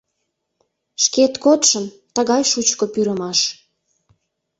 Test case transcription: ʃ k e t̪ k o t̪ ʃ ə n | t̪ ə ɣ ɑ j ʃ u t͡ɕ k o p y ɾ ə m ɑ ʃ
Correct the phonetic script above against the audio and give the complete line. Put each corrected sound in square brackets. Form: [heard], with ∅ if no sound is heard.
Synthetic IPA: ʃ k e t̪ k o t̪ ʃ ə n | t̪ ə ɣ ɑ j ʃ u t͡ɕ k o p y ɾ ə m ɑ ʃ